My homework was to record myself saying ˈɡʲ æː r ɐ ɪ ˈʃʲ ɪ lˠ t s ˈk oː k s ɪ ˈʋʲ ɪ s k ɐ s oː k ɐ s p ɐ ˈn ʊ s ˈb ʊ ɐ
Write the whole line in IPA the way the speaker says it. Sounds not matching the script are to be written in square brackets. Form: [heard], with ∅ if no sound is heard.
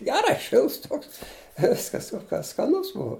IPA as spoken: ˈɡʲ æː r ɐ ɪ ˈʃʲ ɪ lˠ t s [ˈt] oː k s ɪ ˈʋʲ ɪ s k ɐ s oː k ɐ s [k] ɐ ˈn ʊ s ˈb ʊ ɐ